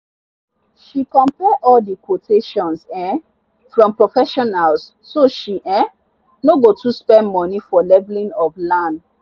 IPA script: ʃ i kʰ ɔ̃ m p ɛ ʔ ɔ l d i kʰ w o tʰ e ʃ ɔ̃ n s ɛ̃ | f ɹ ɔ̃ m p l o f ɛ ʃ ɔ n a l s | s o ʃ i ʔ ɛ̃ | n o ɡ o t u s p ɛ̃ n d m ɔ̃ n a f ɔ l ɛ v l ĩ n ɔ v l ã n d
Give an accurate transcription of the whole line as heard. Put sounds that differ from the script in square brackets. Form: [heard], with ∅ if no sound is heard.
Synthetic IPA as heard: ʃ i [k] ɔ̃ m p ɛ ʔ ɔ l d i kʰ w o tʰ e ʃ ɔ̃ n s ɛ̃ | f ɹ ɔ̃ m p [ɹ] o f ɛ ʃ ɔ n a l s | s o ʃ i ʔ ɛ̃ | n o ɡ o t u s p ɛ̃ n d m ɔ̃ n [i] f ɔ l ɛ v l ĩ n ɔ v l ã n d

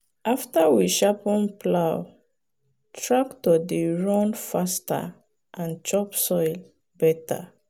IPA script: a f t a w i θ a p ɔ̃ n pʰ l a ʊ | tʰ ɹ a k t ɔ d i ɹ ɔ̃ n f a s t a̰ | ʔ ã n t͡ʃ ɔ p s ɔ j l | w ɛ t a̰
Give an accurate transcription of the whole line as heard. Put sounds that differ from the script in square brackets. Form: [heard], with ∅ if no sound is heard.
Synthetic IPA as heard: a f t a w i [ʃ] a p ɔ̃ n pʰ l a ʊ | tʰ ɹ a k t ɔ d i ɹ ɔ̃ n f a s t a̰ | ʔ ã n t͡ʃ ɔ p s ɔ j l | [b] ɛ t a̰

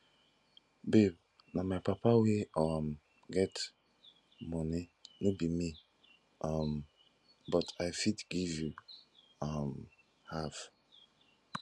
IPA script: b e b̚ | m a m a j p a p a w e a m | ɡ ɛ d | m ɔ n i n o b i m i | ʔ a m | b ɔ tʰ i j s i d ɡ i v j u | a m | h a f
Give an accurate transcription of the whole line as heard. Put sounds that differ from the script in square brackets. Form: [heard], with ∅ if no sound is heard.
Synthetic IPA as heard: b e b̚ | [n] a m a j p a p a w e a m | ɡ ɛ [t] | m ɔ n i n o b i m i | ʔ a m | b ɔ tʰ [a] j [f] i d ɡ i v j u | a m | h a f

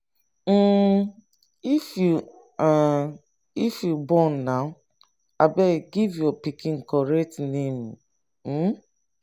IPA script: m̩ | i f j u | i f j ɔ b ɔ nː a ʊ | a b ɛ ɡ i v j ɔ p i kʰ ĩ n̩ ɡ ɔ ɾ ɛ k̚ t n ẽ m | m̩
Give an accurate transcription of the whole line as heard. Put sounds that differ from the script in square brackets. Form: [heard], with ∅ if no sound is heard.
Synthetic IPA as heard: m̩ | i f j u | i f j [u] b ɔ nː a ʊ | a b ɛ ɡ i v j ɔ p i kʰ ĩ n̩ [k] ɔ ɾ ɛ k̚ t n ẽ m | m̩

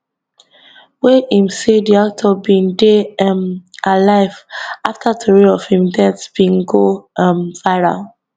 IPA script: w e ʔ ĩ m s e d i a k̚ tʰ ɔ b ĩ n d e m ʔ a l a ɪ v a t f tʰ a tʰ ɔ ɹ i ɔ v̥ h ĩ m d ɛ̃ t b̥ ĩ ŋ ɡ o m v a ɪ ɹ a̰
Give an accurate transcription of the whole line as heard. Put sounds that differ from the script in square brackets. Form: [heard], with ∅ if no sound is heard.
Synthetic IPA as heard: w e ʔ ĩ m s e d i a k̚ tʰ ɔ b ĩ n d e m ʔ a l a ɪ v a [∅] f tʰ a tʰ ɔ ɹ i ɔ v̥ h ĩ m d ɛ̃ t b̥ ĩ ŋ ɡ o m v a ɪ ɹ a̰

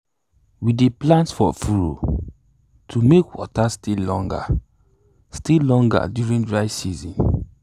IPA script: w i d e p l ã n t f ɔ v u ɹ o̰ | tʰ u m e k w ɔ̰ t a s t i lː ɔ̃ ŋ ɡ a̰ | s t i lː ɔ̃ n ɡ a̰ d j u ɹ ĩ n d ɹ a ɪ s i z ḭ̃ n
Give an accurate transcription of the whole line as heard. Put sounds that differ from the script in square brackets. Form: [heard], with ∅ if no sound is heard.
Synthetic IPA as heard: w i d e p l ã n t f ɔ [f] u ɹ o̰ | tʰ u m e k w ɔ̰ t a s t i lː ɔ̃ ŋ ɡ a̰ | s t i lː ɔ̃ [ŋ] ɡ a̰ d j u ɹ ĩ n d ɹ a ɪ s i z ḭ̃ n

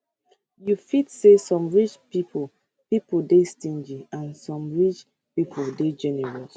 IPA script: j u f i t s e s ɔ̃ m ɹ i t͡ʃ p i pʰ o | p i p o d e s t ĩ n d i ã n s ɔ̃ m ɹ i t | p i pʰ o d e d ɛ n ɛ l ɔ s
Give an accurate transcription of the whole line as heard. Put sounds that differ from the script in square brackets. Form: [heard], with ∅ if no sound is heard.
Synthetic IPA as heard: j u f i t s e s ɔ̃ m ɹ i t͡ʃ p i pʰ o | p i p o d e s t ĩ n [d͡ʒ] i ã n s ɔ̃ m ɹ i [t͡ʃ] | p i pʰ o d e [d͡ʒ] ɛ n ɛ [ɹ] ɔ s

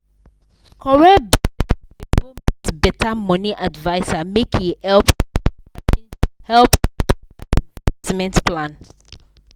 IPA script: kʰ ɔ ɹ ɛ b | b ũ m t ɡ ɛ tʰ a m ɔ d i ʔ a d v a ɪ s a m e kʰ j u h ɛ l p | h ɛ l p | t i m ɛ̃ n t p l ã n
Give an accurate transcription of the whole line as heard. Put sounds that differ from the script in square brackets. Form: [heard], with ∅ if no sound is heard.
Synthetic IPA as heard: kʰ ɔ ɹ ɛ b | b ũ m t [b] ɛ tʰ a m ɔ [n] i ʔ a d v a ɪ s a m e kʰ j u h ɛ l p | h ɛ l p | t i m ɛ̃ n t p l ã n

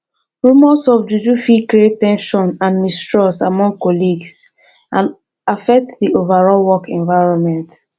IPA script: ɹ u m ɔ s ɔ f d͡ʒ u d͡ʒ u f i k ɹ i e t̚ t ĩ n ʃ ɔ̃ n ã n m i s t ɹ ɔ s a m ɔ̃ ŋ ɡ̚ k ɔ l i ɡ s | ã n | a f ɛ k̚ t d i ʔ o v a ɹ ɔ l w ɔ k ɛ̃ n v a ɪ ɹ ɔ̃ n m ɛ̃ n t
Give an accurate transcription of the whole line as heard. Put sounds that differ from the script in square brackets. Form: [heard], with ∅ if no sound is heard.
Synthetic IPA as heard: ɹ u m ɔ s ɔ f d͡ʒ u d͡ʒ u f i k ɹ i e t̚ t [ɛ̃] n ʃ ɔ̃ n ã n m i s t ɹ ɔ s a m ɔ̃ ŋ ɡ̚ k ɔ l i ɡ s | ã n | a f ɛ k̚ t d i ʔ o v a ɹ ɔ l w ɔ k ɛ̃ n v a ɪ ɹ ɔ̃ n m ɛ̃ n t

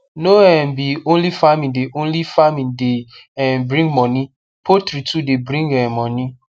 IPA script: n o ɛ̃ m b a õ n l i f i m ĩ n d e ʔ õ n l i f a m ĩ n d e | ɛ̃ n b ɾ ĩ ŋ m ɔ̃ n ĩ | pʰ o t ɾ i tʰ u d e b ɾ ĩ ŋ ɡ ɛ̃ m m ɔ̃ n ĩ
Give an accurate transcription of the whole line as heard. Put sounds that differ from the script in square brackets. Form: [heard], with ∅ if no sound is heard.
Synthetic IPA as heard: n o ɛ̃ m b [i] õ n l i f [a] m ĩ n d e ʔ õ n l i f a m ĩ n d e | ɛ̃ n b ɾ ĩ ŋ m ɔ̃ n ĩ | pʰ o t ɾ i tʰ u d e b ɾ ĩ ŋ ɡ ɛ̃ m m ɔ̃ n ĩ

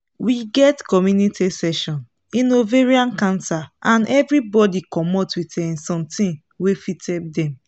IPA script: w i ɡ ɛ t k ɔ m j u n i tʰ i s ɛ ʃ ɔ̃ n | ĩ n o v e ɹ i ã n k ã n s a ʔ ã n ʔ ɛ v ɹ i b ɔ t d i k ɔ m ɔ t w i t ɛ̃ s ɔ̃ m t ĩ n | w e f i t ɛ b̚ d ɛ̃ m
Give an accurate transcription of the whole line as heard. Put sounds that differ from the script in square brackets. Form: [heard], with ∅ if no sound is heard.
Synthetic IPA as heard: w i ɡ ɛ t k ɔ m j u n i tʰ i s ɛ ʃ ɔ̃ n | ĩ n o v e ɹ i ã n k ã n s a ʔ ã n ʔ ɛ v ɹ i b ɔ [∅] d i k ɔ m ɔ t w i t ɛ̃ s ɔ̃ m t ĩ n | w e f i t ɛ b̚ d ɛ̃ m

